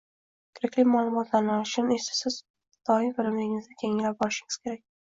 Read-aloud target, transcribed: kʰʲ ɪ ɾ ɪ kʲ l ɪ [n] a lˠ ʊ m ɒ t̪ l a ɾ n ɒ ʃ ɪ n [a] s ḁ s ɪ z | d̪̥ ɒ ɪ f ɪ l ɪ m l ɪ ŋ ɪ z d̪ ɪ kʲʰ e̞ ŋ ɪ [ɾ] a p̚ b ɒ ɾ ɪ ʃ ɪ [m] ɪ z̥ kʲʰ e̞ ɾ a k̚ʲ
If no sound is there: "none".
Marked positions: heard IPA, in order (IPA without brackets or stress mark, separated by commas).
m, e, l, ŋ